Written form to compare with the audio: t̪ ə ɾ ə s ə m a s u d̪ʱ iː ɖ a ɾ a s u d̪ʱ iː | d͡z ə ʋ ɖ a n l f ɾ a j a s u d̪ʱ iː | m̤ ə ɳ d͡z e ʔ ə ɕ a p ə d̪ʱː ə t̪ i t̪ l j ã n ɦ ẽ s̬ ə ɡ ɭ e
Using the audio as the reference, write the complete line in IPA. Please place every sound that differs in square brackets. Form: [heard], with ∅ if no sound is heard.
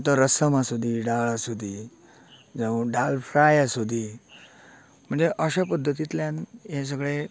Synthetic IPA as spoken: t̪ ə ɾ ə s ə m a s u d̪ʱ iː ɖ a [ɭ] a s u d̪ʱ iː | d͡z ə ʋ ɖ a [∅] l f ɾ a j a s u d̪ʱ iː | m̤ ə ɳ d͡z e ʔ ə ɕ a p ə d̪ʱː ə t̪ i t̪ l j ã n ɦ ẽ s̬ ə ɡ ɭ e